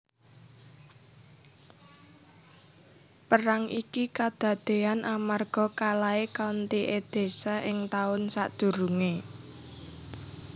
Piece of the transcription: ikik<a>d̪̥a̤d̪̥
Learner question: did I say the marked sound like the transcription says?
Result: yes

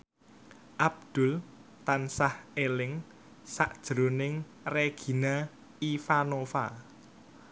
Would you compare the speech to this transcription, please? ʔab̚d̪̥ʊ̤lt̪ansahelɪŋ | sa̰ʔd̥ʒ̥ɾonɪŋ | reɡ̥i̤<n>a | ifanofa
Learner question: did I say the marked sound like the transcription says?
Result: yes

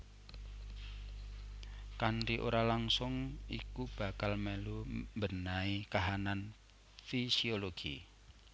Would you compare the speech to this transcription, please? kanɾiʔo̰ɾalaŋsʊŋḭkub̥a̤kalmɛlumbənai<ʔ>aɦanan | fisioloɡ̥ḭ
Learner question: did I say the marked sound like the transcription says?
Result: no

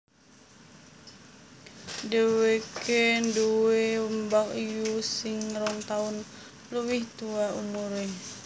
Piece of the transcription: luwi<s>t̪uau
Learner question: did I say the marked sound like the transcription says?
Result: no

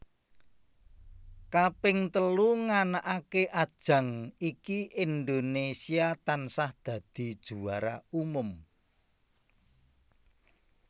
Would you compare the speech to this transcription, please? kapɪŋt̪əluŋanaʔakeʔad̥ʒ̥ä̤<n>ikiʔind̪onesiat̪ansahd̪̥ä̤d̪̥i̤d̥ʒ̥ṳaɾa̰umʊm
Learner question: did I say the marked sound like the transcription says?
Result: no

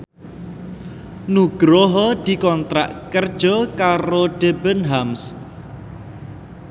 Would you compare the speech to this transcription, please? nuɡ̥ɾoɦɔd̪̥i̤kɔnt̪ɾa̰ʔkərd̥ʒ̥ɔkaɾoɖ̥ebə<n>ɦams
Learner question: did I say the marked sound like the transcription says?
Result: yes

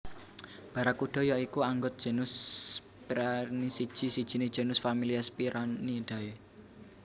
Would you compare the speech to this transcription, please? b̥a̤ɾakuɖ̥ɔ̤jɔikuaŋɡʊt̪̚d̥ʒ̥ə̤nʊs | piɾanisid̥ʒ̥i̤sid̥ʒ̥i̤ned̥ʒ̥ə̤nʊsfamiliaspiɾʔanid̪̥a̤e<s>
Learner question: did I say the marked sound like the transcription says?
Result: no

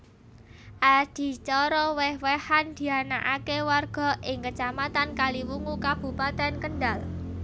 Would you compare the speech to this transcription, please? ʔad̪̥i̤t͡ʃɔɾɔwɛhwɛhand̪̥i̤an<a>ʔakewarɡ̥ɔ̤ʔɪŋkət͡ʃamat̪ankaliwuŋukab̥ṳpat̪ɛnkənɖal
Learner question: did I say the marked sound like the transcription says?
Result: yes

